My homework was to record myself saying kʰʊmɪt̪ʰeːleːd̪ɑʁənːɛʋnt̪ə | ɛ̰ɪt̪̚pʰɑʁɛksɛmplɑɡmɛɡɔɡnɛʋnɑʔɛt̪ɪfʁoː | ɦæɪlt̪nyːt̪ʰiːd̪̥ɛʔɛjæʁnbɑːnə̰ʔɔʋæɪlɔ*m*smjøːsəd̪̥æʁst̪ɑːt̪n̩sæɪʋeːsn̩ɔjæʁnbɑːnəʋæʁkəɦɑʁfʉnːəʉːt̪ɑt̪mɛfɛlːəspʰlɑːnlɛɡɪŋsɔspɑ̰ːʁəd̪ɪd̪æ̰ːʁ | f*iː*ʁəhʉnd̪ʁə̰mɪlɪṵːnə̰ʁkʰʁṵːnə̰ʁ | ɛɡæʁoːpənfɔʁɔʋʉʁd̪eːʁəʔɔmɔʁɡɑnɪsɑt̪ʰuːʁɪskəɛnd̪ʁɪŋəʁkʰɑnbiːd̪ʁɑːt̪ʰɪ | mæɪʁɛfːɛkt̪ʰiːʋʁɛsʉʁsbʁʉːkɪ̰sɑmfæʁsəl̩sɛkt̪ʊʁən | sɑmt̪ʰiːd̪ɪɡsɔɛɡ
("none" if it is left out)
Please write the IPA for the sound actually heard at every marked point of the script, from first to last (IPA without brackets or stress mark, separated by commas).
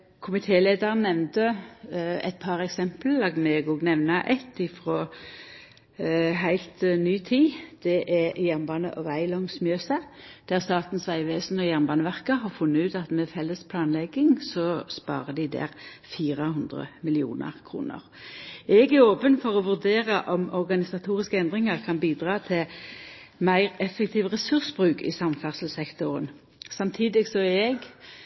ŋ, iː